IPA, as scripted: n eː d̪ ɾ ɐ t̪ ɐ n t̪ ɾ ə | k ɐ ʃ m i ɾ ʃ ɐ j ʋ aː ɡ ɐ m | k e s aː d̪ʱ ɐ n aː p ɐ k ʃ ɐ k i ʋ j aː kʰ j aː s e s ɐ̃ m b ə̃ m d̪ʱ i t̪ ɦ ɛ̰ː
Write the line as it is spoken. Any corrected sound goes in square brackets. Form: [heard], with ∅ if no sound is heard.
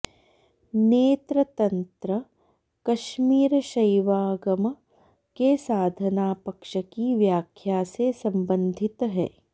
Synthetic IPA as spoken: n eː [t̪] ɾ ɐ t̪ ɐ n t̪ ɾ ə | k ɐ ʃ m [iː] ɾ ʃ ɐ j ʋ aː ɡ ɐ m | k e s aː d̪ʱ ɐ n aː p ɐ k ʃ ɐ k i ʋ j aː kʰ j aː s e s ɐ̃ m b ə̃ [n] d̪ʱ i t̪ ɦ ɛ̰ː